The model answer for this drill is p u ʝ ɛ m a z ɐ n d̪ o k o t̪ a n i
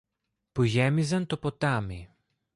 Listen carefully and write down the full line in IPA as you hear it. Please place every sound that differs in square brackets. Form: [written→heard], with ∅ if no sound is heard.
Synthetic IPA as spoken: p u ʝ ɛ m [a→i] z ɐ n [d̪→t̪] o [k→p] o t̪ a [n→m] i